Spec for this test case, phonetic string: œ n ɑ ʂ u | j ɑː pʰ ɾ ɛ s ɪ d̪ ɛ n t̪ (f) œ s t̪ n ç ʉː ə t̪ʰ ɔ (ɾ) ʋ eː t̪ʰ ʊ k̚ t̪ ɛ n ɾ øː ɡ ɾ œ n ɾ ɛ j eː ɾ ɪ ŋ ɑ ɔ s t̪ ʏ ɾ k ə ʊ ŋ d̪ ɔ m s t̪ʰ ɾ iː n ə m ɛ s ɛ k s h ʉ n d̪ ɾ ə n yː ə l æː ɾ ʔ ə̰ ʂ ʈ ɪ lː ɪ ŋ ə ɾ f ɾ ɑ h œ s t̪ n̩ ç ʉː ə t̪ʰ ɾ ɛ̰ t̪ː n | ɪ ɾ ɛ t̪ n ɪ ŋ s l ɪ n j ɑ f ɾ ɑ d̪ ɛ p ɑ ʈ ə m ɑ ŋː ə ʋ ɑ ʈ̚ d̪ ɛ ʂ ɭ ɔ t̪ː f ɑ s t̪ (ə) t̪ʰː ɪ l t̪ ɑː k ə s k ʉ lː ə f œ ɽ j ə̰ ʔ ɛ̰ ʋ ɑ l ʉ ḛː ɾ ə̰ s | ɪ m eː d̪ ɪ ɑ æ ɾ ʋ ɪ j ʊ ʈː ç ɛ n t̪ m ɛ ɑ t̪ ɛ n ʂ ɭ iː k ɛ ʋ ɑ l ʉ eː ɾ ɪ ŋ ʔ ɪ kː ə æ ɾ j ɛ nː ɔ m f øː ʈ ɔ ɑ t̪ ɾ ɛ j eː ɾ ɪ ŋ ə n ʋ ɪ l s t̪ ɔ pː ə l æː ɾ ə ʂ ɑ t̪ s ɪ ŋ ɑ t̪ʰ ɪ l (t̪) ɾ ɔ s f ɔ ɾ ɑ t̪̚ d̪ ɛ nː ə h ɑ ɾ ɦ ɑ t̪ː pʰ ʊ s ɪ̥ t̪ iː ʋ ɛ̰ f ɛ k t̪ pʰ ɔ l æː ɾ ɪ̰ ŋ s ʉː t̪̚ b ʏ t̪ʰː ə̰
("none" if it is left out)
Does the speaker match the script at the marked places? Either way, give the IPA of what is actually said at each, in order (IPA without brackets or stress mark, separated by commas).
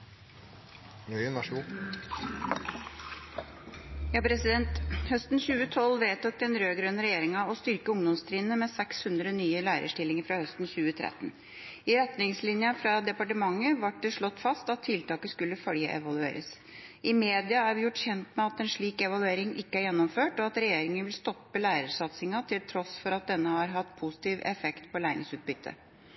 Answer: h, l, ɑ, t̪ʰ